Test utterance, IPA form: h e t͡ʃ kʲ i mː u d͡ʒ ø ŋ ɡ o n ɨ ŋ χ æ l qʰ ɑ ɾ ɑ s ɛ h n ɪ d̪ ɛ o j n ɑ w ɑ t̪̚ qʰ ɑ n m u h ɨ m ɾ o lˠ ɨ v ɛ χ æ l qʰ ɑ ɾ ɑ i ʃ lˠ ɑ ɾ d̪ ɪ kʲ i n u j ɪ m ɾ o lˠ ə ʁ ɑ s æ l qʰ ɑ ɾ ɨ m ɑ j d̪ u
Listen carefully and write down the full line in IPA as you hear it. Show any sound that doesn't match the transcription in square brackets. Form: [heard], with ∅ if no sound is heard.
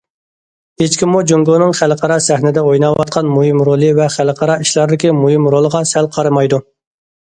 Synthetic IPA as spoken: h e t͡ʃ kʲ i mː u d͡ʒ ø ŋ ɡ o n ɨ ŋ χ æ l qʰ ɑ ɾ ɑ s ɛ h n ɪ d̪ ɛ o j n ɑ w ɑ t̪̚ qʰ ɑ n m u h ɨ m ɾ o lˠ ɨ v ɛ χ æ l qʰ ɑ ɾ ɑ i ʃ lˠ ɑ ɾ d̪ ɪ kʲ i [m] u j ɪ m ɾ o lˠ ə ʁ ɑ s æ l qʰ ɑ ɾ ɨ m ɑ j d̪ u